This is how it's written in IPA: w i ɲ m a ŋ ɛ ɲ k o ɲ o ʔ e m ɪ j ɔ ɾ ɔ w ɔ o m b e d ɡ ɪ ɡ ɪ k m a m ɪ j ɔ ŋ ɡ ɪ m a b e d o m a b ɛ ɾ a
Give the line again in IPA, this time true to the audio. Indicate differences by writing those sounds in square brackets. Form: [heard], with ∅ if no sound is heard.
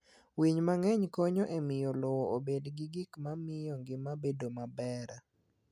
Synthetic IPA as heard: w i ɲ m a ŋ ɛ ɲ k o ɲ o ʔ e m ɪ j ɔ [l] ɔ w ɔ o [∅] b e d ɡ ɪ ɡ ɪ k m a m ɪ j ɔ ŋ ɡ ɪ m a b e d o m a b ɛ ɾ a